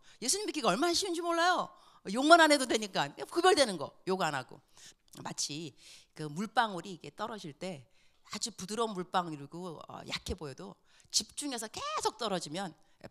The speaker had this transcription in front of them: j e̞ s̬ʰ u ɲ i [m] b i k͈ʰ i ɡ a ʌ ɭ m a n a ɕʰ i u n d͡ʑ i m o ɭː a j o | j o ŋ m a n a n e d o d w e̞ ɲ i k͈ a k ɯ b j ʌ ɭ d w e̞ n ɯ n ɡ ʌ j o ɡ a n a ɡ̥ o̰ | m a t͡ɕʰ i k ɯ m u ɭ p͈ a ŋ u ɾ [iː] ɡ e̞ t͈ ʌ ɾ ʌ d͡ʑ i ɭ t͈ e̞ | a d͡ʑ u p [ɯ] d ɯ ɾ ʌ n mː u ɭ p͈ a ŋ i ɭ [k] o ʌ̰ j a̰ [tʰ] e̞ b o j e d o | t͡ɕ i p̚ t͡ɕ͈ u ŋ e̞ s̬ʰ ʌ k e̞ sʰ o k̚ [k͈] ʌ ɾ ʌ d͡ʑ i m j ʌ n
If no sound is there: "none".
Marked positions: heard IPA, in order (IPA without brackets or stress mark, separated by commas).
m, iː, u, ɡ, kʰ, t͈